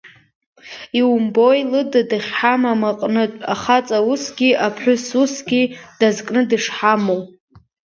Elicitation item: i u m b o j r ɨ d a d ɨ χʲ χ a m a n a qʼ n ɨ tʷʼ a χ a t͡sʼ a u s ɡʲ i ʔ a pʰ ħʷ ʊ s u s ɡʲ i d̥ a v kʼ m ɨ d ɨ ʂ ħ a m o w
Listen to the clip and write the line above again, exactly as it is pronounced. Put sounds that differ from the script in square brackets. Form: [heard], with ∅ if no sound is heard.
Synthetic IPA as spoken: i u m b o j [l] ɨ d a d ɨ χʲ [ħ] a m a [m] a qʼ n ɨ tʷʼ a χ a t͡sʼ a u s ɡʲ i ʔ a pʰ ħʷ ʊ s u s ɡʲ i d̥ a [z] kʼ [n] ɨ d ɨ ʂ ħ a m o w